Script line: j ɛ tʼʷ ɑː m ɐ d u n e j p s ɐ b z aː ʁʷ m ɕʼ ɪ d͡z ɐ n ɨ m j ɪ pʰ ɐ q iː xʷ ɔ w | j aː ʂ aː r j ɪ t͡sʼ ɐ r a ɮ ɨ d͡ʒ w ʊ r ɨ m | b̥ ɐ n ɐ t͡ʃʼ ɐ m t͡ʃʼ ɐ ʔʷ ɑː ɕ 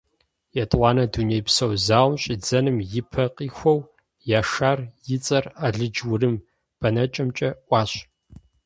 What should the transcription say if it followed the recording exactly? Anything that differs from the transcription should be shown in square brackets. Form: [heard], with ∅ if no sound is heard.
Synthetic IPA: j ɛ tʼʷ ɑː [n] ɐ d u n e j p s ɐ [w] z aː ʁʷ m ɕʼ ɪ d͡z ɐ n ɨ m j ɪ pʰ ɐ q iː xʷ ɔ w | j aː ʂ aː r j ɪ t͡sʼ ɐ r a ɮ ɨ d͡ʒ w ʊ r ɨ m | b̥ ɐ n ɐ t͡ʃʼ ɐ m t͡ʃʼ ɐ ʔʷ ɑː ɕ